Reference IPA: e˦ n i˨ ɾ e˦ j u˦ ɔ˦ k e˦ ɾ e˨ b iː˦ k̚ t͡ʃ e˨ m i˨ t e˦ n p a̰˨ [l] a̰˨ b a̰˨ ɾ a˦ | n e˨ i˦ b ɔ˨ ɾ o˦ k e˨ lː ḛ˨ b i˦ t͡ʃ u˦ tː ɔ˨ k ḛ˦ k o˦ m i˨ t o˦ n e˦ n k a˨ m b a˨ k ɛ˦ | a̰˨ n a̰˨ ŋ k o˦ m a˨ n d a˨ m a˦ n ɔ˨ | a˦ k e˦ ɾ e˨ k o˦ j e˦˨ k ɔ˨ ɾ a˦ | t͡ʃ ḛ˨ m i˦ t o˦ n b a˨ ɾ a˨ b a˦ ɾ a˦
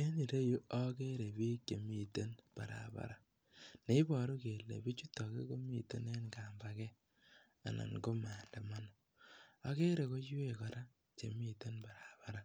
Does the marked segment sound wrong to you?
yes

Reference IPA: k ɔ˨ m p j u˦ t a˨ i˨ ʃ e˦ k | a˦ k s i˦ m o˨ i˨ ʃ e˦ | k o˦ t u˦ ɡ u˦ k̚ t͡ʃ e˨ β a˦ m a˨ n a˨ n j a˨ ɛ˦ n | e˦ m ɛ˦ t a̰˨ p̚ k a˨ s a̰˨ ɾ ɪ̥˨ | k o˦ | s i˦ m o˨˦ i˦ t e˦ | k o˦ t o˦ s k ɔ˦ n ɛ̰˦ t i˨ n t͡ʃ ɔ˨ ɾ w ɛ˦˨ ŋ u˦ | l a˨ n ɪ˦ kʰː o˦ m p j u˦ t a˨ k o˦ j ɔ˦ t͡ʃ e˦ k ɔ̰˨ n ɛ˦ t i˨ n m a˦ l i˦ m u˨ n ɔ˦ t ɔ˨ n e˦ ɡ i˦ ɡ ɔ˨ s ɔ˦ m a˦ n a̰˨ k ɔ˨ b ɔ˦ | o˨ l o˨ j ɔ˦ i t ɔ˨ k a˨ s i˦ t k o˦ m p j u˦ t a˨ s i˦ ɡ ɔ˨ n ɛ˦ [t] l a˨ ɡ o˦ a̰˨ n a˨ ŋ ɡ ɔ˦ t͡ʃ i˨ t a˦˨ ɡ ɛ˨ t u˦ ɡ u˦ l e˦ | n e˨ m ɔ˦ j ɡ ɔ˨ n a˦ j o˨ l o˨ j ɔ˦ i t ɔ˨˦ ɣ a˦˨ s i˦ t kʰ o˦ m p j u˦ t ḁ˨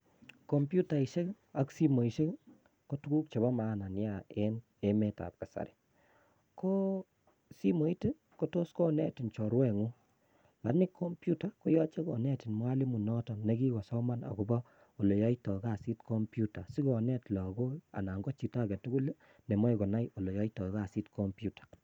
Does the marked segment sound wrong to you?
no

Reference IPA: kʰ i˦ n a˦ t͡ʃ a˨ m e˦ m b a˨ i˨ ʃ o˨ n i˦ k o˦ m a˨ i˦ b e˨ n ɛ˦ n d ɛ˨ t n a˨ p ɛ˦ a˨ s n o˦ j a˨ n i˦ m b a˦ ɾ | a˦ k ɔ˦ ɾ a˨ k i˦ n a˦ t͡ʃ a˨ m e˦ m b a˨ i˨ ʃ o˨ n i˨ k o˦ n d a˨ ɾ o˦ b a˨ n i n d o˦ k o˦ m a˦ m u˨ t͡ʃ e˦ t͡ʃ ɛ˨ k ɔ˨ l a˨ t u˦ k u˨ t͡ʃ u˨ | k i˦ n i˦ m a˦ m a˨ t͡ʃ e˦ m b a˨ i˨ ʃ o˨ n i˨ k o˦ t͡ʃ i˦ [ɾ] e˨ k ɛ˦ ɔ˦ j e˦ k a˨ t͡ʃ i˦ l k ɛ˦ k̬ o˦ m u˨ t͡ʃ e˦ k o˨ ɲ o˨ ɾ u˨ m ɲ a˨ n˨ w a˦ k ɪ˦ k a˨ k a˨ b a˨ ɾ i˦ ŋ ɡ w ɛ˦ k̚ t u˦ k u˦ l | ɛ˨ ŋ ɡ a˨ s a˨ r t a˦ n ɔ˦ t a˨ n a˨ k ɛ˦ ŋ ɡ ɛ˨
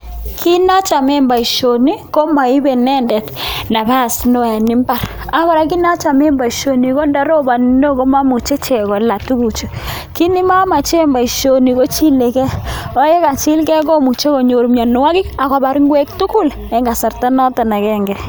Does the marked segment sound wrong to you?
yes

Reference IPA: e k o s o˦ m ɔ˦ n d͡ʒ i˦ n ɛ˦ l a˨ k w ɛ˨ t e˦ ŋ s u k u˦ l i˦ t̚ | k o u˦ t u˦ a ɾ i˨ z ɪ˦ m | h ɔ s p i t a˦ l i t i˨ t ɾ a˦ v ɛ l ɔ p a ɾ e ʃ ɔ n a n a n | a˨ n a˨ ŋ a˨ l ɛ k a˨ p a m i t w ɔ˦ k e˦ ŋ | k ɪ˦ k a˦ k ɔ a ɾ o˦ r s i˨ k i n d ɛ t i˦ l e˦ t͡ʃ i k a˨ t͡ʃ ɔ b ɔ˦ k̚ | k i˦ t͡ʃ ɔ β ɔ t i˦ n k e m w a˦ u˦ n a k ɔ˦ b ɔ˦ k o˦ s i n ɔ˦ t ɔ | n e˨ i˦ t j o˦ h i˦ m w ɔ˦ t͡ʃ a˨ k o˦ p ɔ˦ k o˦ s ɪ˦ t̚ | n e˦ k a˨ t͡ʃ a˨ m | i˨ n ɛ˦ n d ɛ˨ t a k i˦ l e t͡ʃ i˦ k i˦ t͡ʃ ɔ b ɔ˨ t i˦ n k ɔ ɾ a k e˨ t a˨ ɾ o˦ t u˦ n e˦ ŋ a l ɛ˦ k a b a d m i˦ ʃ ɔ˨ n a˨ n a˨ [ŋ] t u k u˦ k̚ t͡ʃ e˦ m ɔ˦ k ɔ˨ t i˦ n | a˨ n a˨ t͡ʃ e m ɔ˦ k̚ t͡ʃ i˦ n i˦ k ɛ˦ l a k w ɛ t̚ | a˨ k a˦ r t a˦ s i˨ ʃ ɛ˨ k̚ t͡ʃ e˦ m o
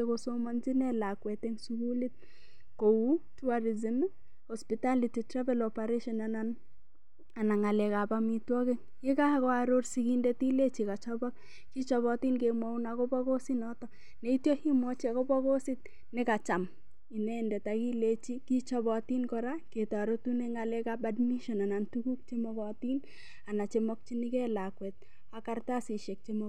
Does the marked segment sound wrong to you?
yes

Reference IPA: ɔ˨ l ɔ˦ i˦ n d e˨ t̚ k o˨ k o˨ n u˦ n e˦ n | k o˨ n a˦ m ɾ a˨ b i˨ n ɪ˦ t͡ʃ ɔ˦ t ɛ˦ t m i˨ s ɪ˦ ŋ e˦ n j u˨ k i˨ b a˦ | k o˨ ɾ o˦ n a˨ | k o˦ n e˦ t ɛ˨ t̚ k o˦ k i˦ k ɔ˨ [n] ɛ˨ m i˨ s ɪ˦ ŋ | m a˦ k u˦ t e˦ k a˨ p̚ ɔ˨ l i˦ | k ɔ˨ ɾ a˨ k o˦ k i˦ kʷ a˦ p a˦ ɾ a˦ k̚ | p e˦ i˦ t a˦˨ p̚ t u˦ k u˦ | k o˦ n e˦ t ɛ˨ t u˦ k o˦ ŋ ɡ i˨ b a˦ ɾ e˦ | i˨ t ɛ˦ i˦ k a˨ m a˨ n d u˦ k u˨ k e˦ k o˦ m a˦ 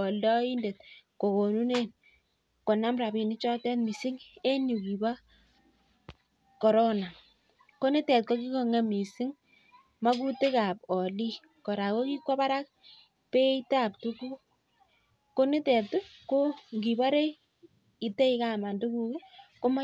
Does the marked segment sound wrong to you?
yes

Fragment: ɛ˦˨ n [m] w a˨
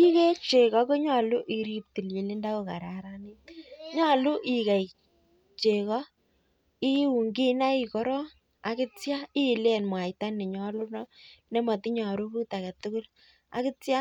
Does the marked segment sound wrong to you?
no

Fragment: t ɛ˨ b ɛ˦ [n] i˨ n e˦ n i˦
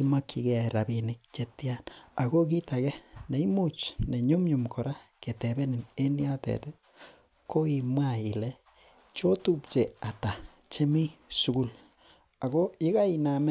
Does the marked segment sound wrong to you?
no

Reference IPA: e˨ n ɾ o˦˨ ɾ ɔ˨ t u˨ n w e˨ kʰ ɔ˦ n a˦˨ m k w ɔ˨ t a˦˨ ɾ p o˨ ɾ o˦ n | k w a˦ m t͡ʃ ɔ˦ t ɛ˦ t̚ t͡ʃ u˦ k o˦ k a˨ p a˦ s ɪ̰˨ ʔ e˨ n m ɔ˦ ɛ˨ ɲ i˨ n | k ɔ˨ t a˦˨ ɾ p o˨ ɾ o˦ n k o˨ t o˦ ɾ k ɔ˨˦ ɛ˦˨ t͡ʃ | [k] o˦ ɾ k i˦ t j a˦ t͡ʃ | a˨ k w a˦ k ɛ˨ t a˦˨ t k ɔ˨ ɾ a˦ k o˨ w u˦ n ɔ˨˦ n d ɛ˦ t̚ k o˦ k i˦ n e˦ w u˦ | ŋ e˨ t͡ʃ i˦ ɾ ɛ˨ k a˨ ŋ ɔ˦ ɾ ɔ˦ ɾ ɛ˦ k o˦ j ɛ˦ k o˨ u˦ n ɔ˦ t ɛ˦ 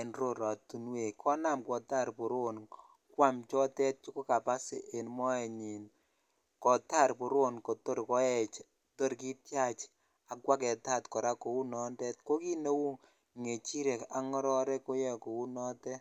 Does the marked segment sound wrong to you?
yes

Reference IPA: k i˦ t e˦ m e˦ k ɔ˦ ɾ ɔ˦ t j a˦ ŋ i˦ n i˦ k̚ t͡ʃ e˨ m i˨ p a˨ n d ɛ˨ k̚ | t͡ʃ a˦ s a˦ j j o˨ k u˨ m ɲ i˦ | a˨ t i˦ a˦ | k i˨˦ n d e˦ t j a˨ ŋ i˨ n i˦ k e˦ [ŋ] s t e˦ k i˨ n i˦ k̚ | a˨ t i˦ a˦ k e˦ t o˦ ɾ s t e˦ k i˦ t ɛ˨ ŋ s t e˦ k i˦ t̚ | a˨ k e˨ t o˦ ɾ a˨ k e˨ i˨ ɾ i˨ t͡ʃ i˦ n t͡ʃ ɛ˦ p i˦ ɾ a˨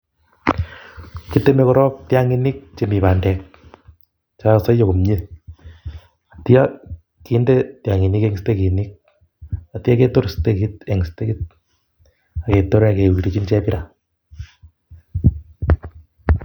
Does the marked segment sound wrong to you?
no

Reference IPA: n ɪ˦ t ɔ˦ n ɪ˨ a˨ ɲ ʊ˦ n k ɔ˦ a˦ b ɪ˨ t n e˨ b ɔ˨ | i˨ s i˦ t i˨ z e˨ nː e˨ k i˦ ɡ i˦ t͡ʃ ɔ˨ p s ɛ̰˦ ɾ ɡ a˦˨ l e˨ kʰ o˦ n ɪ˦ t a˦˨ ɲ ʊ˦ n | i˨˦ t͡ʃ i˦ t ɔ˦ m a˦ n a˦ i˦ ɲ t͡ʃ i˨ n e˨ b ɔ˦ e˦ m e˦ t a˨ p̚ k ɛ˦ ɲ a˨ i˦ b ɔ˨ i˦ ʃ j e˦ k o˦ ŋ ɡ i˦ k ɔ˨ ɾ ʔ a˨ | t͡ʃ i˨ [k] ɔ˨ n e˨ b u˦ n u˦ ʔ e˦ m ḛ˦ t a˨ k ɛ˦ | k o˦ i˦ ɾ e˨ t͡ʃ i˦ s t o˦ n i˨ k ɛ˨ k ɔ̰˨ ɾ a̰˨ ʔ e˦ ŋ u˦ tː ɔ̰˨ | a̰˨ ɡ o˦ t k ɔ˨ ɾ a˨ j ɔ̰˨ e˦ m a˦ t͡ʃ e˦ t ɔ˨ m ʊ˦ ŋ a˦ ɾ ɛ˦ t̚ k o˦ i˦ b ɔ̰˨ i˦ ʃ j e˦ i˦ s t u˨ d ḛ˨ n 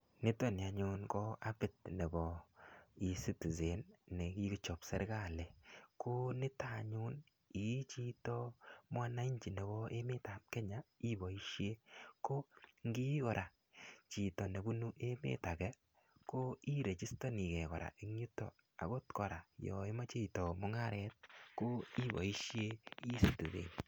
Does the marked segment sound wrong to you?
yes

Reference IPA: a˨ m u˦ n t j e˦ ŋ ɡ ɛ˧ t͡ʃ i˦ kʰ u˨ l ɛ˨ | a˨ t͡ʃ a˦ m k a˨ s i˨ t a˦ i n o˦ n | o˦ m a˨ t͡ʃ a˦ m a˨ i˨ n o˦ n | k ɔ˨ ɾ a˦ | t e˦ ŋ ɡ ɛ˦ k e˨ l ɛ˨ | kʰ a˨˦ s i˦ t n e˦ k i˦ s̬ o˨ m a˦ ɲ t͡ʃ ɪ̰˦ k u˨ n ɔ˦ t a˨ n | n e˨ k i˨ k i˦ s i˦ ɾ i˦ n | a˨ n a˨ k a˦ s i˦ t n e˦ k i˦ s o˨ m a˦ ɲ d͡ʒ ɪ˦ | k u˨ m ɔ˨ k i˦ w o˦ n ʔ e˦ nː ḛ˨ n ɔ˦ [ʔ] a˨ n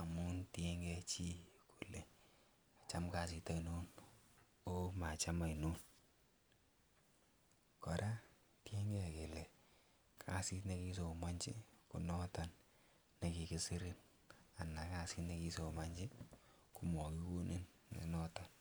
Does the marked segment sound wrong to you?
yes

